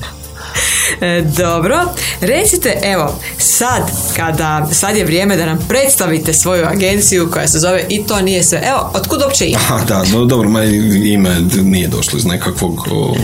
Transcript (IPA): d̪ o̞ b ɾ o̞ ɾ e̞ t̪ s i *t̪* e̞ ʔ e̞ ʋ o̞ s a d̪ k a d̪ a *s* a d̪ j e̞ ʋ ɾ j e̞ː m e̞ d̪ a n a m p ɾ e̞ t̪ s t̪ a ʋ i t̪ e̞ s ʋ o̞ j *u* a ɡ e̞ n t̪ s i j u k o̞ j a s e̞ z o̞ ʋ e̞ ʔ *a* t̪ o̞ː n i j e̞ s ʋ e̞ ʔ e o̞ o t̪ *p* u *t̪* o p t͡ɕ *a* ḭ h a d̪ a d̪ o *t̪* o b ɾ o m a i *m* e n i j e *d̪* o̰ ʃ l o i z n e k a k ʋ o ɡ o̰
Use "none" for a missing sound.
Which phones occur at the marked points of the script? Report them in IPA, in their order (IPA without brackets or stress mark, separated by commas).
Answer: t̪, s, u, i, k, d̪, e, d̪, m, d̪